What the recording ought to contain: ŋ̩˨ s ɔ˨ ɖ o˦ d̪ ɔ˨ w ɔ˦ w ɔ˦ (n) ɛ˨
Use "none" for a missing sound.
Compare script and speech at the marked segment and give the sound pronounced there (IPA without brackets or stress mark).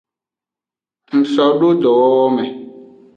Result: m